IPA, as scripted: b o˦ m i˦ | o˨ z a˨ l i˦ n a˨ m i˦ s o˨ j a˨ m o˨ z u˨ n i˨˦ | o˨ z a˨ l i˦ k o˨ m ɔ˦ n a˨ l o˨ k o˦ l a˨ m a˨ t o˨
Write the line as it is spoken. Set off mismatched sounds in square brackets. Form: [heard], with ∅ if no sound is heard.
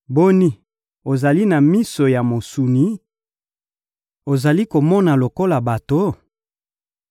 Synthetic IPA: b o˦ [n] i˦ | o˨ z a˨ l i˦ n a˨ m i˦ s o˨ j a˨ m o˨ [s] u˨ n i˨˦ | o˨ z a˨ l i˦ k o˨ m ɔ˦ n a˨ l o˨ k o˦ l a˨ [b] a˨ t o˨